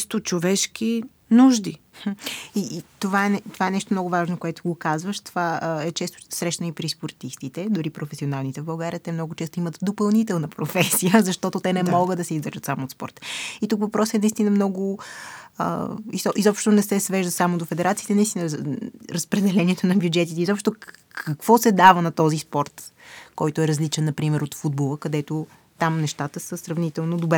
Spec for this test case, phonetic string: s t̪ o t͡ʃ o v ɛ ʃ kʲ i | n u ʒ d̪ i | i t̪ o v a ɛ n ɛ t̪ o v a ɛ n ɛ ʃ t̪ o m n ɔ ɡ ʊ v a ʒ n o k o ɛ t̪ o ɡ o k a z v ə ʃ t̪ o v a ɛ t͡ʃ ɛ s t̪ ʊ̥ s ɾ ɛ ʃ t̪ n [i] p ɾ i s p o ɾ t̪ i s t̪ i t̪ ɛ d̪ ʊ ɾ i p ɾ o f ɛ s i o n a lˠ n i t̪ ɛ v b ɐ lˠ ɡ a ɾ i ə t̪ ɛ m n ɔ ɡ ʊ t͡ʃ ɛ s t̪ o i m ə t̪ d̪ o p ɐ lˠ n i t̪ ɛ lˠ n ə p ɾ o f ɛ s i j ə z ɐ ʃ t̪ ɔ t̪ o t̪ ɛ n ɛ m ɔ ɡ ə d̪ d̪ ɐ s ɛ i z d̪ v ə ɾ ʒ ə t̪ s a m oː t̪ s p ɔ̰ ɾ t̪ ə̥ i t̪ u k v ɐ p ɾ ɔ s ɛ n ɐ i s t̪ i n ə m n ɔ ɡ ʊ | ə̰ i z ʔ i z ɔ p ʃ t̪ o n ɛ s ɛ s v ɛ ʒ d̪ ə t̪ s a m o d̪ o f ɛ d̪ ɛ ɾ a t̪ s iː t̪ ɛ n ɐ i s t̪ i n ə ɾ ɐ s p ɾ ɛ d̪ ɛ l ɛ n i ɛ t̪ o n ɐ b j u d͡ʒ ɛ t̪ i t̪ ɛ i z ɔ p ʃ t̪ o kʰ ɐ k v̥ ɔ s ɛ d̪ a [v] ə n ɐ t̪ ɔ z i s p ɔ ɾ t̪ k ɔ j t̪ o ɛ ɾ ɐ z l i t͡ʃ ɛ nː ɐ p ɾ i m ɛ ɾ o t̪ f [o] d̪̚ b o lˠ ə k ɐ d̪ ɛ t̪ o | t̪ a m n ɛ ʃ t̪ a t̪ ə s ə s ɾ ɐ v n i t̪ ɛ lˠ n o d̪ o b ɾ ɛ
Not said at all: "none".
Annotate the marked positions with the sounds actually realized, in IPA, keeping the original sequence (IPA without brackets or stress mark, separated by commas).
i, v, u